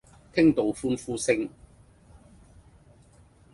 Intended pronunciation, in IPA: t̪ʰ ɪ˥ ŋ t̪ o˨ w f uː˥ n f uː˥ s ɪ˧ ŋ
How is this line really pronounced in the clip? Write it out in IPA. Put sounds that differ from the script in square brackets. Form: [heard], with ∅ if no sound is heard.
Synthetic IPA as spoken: t̪ʰ ɪ˥ ŋ t̪ o˨ w f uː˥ n f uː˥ s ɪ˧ ŋ